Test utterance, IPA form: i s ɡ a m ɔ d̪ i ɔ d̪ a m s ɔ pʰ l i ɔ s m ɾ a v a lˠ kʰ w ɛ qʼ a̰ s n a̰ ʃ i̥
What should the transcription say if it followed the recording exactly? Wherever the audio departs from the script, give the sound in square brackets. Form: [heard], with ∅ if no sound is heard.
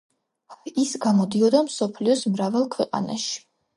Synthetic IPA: i s ɡ a m ɔ d̪ i ɔ d̪ a m s ɔ pʰ l i ɔ s m ɾ a v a lˠ kʰ w ɛ qʼ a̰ [∅] n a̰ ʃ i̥